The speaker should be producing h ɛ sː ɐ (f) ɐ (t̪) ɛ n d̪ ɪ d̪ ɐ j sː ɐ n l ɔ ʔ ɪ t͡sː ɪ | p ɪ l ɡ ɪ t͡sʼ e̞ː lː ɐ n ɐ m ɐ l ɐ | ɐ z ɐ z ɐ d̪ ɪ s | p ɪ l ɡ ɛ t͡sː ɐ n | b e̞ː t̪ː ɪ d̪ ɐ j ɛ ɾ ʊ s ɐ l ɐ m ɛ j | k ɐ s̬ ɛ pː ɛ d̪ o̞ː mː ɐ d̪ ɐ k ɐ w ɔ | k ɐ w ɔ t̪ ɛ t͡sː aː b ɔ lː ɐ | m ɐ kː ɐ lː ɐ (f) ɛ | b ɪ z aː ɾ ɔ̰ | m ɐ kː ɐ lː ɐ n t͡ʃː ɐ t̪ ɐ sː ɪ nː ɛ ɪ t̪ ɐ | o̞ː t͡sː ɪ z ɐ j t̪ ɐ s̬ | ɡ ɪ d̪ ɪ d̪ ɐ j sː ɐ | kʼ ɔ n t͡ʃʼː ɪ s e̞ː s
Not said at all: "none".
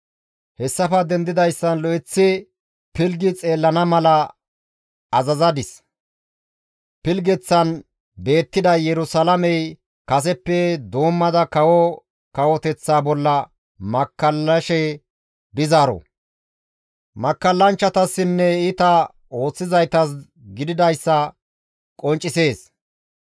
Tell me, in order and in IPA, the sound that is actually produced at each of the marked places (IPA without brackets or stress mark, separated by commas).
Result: f, d̪, ʃ